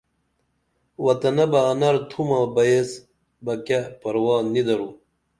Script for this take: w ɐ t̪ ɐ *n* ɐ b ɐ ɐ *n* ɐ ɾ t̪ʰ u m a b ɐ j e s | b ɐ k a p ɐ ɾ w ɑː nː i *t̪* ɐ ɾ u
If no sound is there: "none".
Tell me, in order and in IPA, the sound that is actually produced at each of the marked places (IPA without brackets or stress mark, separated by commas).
n, n, d̪